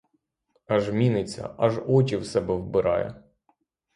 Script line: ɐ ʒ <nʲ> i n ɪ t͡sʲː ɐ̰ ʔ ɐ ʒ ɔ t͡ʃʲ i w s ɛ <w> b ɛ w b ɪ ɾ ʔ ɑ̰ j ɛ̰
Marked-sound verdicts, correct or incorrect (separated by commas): incorrect, incorrect